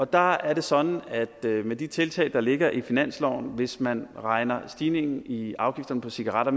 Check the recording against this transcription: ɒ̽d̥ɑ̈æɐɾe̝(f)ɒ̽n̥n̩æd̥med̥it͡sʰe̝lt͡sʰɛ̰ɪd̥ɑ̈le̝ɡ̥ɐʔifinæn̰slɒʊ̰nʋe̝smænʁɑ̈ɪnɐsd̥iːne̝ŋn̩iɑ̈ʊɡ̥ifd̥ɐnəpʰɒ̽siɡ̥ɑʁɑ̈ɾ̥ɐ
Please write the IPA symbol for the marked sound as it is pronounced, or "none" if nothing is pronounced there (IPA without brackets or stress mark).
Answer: s